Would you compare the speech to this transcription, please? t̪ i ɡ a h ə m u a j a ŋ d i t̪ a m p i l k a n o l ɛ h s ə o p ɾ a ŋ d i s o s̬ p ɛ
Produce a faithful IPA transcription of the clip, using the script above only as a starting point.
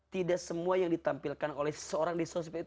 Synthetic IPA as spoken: t̪ i d a s ə m u a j a ŋ d i t̪ a m p i l k a n o l ɛ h s ə o ɾ a ŋ d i s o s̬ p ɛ